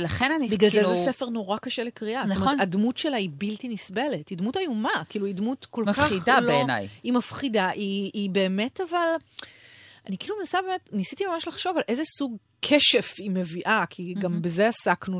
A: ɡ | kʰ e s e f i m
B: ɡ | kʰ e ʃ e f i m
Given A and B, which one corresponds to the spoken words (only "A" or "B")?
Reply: B